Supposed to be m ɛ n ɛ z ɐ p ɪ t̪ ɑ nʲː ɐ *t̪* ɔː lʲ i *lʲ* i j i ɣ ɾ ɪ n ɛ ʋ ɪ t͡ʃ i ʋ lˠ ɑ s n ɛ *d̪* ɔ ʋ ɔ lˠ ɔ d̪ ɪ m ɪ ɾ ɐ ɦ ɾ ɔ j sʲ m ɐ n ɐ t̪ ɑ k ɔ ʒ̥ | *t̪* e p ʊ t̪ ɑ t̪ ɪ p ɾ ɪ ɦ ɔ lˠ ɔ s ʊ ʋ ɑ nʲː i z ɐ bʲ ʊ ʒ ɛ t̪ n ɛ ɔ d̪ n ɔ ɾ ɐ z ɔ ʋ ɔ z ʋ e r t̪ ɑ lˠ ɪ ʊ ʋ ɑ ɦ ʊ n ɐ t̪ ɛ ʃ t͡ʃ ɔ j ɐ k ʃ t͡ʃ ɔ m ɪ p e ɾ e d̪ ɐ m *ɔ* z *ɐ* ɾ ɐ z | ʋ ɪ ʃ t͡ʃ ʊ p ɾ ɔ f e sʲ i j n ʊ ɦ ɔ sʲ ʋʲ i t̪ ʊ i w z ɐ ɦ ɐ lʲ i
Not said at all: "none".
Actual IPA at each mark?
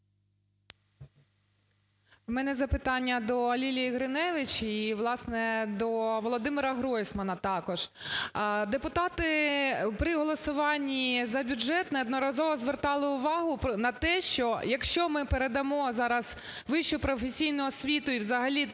d̪, lʲ, d̪, d̪, ɔ, ɑ

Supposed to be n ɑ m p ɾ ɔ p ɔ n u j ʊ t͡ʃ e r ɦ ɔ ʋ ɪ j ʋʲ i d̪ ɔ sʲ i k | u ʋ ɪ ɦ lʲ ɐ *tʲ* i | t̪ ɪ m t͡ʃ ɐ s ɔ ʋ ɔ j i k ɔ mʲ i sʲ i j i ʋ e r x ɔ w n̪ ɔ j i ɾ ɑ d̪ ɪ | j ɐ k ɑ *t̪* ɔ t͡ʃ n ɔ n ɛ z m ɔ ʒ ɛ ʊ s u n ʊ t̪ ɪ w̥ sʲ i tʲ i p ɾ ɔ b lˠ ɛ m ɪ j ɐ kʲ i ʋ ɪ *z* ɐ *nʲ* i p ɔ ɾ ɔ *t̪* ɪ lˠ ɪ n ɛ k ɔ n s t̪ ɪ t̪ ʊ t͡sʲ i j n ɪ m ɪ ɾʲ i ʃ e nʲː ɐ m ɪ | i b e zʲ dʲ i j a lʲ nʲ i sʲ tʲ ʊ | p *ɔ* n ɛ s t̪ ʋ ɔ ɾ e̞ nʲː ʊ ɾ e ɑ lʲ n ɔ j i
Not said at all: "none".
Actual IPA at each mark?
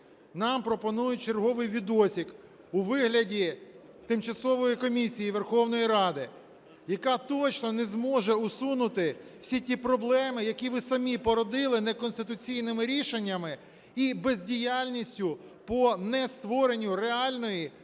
dʲ, t̪, s, mʲ, d̪, ɔ

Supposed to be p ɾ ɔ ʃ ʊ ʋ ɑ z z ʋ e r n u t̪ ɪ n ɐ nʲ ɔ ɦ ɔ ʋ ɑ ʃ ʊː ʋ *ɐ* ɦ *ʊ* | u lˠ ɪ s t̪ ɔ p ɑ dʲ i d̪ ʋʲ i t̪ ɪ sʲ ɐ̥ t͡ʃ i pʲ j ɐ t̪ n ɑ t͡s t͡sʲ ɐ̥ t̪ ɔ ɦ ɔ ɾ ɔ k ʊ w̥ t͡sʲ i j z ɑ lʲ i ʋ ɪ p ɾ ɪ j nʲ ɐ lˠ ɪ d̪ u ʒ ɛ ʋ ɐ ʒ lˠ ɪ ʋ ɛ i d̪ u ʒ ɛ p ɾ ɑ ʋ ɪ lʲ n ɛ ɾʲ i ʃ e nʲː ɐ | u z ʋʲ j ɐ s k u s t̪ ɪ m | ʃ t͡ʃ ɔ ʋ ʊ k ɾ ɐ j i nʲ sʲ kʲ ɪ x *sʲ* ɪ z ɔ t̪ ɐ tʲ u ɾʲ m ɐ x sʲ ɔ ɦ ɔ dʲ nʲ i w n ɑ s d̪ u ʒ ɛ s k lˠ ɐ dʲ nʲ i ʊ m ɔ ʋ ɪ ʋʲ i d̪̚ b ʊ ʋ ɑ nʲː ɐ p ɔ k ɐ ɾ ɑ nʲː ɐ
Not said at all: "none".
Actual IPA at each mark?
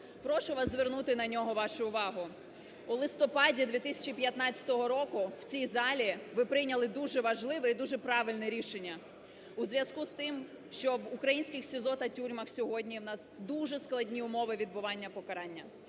ɑ, ʊ, sʲ

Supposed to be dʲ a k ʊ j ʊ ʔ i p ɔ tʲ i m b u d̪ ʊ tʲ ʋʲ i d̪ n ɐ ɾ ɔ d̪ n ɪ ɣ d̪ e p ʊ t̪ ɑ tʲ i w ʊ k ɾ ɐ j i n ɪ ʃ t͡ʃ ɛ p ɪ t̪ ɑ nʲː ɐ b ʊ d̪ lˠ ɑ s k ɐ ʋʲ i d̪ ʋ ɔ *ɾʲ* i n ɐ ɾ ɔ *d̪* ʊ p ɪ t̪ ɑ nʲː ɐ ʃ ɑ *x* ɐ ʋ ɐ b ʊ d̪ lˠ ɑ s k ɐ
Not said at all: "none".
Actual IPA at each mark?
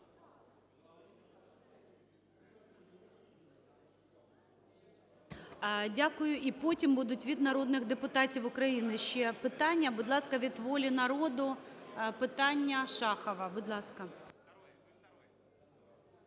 lʲ, d̪, x

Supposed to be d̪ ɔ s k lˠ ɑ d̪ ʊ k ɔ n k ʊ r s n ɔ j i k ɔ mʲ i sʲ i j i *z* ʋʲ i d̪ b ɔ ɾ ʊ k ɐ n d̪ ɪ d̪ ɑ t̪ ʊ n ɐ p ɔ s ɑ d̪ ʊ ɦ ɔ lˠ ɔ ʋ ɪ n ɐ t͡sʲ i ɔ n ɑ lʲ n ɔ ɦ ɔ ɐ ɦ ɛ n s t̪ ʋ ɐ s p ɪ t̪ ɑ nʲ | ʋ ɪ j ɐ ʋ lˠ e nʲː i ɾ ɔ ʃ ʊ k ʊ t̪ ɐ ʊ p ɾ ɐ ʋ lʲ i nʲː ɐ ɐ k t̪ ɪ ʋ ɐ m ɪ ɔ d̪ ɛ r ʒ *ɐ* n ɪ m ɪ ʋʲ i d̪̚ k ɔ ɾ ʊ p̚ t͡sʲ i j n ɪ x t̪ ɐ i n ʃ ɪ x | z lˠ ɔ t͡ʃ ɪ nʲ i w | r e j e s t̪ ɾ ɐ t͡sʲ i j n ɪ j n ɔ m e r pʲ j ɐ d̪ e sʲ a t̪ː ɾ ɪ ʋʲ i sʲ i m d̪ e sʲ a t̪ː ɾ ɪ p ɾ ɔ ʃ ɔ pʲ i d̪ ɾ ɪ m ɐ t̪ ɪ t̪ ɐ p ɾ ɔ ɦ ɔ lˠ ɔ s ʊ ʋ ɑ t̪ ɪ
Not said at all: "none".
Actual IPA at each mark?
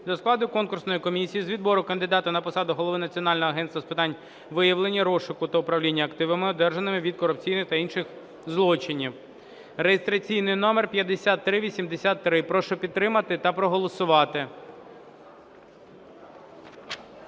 z, ɐ

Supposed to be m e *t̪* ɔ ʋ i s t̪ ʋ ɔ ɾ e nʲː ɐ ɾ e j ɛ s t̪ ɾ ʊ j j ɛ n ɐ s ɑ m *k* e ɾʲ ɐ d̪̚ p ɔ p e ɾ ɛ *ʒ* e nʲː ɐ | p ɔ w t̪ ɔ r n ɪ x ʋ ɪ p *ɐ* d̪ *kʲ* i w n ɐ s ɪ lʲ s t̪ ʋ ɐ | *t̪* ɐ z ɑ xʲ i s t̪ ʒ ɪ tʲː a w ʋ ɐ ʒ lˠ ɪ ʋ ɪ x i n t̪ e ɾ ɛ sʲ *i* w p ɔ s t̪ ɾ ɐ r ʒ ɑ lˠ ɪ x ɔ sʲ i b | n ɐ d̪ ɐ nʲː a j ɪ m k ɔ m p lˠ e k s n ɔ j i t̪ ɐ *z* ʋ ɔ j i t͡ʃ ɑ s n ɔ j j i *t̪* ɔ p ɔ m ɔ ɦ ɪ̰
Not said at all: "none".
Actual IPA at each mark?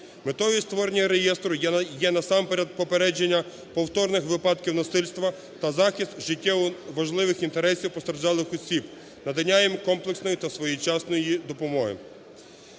t̪, p, d͡ʒ, ɑ, kʲ, t̪, i, s, d̪

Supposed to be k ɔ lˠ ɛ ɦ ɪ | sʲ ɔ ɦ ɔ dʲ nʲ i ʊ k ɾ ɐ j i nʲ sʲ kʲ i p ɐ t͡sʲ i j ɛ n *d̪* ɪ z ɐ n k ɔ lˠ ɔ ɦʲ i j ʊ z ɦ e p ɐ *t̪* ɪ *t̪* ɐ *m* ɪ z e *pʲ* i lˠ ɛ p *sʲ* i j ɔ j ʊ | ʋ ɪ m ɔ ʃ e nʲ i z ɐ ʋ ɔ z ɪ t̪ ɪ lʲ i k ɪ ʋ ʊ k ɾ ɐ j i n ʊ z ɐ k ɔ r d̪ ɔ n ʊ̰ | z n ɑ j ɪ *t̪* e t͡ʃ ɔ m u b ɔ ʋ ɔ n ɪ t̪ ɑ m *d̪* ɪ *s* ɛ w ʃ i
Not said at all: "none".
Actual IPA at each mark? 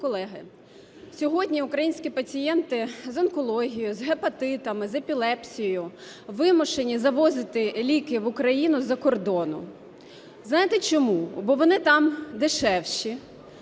t̪, t̪, t̪, m, pʲ, sʲ, t̪, d̪, ʃ

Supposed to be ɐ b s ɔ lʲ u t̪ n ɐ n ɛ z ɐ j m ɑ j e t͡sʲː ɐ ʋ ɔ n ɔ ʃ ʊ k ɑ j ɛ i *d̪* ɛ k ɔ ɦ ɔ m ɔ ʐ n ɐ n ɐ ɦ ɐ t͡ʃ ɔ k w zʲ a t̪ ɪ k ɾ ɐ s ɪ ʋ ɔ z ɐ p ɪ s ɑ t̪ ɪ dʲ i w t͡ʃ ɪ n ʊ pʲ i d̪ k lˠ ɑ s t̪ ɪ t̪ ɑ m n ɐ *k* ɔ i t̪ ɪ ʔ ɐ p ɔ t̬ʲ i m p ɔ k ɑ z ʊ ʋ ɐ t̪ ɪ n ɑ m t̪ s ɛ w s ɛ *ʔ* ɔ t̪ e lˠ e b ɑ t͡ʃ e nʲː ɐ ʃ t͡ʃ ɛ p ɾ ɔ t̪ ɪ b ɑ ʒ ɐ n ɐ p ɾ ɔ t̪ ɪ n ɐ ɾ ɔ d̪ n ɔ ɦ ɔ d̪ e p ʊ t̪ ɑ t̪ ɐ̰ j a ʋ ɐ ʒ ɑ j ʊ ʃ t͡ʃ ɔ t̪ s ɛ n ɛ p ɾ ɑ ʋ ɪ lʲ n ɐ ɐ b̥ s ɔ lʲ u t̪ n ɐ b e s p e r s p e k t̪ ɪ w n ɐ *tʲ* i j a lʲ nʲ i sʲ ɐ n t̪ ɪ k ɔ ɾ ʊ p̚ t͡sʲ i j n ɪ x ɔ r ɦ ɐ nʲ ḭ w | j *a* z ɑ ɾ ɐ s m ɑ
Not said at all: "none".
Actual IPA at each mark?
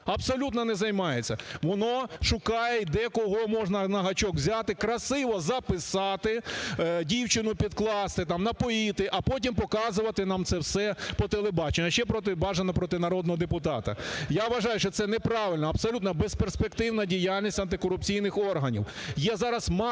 d̪, p, p, dʲ, ɛ

